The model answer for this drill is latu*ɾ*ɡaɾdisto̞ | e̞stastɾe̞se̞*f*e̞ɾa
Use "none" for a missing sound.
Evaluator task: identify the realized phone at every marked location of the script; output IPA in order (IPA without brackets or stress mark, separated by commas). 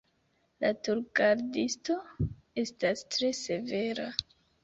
ɾ, v